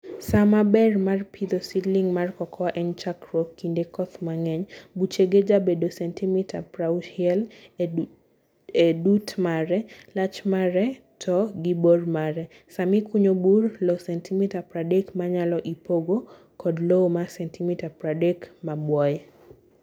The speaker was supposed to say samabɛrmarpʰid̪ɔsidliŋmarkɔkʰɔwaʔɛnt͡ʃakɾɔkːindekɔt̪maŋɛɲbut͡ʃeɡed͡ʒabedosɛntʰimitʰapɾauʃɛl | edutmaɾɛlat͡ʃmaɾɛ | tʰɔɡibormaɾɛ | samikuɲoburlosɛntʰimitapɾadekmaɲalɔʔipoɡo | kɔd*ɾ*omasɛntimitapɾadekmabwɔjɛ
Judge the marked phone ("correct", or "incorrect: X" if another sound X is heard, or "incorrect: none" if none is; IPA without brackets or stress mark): incorrect: l